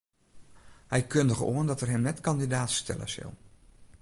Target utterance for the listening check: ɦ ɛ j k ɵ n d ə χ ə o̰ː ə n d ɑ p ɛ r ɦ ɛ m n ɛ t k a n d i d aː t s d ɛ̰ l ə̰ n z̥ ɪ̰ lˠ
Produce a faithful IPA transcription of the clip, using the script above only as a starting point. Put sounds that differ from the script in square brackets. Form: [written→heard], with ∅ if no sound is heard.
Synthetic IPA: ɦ ɛ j k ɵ n d ə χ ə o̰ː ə n d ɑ [p→t] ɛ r ɦ ɛ m n ɛ t k [a→ɑ] n d i d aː t s [d→t] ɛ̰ l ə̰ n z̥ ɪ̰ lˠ